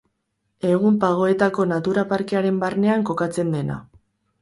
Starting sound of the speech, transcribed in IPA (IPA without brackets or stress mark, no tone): e̞